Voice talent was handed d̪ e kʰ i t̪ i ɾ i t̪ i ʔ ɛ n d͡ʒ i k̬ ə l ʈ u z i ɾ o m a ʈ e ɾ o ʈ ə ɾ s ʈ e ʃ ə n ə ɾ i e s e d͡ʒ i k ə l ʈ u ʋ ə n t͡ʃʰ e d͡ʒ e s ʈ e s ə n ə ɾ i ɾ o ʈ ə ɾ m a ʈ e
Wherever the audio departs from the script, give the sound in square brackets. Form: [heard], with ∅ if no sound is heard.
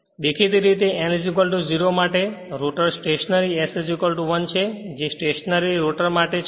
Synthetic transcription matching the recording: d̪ e kʰ i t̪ i ɾ i t̪ [e] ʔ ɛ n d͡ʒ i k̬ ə l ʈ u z i ɾ o m a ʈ e ɾ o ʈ ə ɾ s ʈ e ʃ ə n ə ɾ i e s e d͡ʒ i k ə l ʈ u ʋ ə n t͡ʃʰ e d͡ʒ e s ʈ e [ʃ] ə n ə ɾ i ɾ o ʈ ə ɾ m a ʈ e

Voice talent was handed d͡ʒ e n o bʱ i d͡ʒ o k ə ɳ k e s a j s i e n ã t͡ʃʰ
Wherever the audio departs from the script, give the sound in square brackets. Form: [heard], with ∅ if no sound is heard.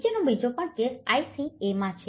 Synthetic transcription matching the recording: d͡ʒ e n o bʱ i d͡ʒ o [p] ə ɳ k e s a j s i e [m] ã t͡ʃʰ

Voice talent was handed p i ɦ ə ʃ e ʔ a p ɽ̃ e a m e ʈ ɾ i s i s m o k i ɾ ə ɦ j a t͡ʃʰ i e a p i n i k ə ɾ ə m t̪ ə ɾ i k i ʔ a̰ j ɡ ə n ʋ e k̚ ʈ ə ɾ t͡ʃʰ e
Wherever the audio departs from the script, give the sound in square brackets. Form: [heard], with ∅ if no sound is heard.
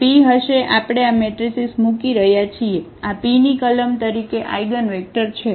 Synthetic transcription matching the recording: p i ɦ ə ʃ e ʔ a p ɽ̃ e a m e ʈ ɾ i s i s m [u] k i ɾ ə ɦ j a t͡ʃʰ i e a p i n i k ə [l] ə m t̪ ə ɾ i k [e] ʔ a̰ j ɡ ə n ʋ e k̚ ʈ ə ɾ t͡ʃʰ e

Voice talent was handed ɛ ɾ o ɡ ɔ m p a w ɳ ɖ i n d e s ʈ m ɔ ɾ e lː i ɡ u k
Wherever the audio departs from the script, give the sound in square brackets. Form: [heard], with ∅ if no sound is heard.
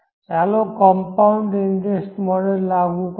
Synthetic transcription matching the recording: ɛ [l] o [k] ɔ m p a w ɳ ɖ i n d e s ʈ m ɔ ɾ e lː [a] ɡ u k

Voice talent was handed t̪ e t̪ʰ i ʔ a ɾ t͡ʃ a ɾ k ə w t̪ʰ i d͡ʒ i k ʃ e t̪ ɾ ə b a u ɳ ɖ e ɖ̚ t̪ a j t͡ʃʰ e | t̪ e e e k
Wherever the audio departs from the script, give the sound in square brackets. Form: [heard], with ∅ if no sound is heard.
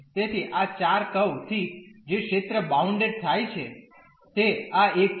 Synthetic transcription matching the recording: t̪ e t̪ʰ i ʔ a [∅] t͡ʃ a ɾ k ə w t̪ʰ i d͡ʒ [e] k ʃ e t̪ ɾ ə b a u ɳ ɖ e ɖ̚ [t̪ʰ] a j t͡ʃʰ e | t̪ e [a] e k

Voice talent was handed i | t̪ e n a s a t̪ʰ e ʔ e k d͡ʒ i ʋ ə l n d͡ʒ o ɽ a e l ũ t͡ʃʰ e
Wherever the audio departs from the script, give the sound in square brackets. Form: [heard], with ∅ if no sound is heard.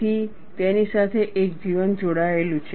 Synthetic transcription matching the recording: i | t̪ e n [i] s a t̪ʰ e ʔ e k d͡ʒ i ʋ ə [∅] n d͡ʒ o ɽ a e l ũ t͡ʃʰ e

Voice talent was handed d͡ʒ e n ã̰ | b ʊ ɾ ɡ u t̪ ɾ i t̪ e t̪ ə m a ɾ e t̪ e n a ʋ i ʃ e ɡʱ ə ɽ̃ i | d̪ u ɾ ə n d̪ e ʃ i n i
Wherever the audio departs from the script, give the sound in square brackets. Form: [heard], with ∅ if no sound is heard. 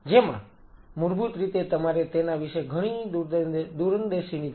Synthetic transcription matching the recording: d͡ʒ e [m] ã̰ | [m] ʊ ɾ [b] u t̪ ɾ i t̪ e t̪ ə m a ɾ e t̪ e n a ʋ i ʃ e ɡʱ ə ɽ̃ i | d̪ u ɾ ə n d̪ e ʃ i n i

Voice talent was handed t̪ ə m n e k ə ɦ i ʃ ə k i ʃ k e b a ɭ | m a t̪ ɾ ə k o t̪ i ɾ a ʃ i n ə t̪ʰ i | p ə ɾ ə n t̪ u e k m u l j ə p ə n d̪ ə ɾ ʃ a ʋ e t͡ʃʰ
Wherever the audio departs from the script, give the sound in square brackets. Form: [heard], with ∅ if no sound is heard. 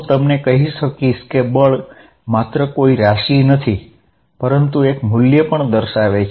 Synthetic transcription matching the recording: t̪ ə m n e k ə ɦ i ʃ ə k i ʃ k e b [ə] ɭ | m a t̪ ɾ ə k o [∅] i ɾ a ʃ i n ə t̪ʰ i | p ə ɾ ə n t̪ u e k m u l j ə p ə [ɳ] d̪ ə ɾ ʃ a ʋ e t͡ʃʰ

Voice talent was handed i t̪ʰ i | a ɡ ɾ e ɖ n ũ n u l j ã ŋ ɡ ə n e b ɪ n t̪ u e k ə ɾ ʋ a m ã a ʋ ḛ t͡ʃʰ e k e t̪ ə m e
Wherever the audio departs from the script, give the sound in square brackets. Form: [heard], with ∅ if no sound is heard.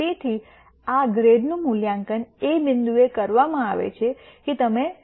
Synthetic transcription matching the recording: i t̪ʰ i | a ɡ ɾ e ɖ n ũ [m] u l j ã ŋ [k] ə n e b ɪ n [d̪] u e k ə ɾ ʋ a m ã a ʋ ḛ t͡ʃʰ e k e t̪ ə m e

